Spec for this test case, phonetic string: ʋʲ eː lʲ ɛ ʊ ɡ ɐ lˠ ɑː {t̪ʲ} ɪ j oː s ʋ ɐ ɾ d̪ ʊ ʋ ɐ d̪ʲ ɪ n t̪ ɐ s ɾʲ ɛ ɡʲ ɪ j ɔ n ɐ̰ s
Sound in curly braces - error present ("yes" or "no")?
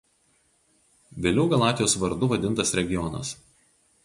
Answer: no